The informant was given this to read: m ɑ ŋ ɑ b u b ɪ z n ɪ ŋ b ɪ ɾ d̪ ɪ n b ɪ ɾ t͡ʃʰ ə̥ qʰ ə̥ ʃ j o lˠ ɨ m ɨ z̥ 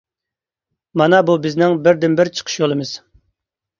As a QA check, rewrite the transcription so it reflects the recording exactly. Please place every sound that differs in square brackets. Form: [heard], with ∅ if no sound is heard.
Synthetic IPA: m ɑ [n] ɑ b u b ɪ z n ɪ ŋ b ɪ ɾ d̪ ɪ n b ɪ ɾ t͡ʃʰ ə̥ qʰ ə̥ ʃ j o lˠ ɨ m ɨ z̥